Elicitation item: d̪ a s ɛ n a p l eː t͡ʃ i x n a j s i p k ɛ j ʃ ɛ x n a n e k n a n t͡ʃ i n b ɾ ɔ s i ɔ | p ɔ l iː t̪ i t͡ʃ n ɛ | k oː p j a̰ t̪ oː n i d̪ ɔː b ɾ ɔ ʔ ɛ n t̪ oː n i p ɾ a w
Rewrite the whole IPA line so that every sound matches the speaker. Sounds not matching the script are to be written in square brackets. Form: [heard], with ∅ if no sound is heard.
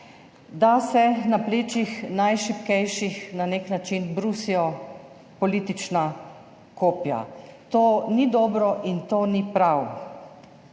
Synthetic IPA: d̪ a s ɛ n a p l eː t͡ʃ i x n a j [ʃ] i p k ɛ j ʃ [i] x n a n e k n a [∅] t͡ʃ i n b ɾ [u] s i ɔ | p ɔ l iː t̪ i t͡ʃ n [a] | k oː p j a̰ t̪ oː n i d̪ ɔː b ɾ ɔ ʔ [i] n t̪ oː n i p ɾ a w